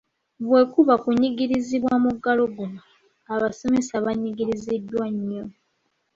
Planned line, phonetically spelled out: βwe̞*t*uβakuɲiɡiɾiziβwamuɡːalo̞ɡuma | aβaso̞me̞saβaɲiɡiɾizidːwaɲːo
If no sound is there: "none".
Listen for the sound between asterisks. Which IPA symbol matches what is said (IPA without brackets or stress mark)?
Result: k